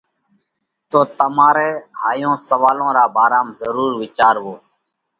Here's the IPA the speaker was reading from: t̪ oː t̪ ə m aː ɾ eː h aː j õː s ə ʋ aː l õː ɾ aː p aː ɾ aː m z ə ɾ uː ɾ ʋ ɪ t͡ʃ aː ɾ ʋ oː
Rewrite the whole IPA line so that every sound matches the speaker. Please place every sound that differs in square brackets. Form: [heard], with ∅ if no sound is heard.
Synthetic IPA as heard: t̪ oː t̪ ə m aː ɾ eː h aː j õː s ə ʋ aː l õː ɾ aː [b] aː ɾ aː m z ə ɾ uː ɾ ʋ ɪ t͡ʃ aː ɾ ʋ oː